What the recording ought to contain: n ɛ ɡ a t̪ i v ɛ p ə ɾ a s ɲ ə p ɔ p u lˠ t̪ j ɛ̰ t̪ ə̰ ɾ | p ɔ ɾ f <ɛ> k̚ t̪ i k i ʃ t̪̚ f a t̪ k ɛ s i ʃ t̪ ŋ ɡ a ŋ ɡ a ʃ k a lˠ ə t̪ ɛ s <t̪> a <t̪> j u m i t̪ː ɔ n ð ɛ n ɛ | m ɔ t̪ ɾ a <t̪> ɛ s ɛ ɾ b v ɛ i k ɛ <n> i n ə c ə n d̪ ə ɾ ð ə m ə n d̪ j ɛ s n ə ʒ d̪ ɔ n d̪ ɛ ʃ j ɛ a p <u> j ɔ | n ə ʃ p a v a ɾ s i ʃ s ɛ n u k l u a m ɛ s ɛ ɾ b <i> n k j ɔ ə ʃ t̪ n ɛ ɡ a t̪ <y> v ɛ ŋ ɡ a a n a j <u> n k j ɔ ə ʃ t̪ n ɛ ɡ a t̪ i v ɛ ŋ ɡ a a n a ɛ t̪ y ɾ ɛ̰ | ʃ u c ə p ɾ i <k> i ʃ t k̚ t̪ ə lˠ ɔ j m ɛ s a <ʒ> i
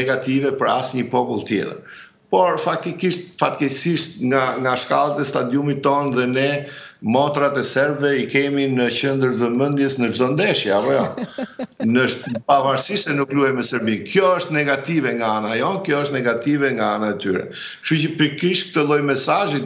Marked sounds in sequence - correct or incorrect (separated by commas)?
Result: incorrect, correct, incorrect, correct, incorrect, incorrect, correct, incorrect, incorrect, correct, correct